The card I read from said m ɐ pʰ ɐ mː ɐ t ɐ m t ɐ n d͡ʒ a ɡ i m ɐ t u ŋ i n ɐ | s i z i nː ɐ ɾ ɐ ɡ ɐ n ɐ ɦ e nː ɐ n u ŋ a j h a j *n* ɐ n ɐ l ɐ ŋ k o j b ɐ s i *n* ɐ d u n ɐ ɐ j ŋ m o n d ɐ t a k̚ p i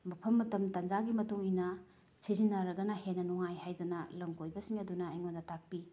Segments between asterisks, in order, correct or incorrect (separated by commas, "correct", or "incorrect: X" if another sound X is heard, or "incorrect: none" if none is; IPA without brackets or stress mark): incorrect: d, incorrect: ŋ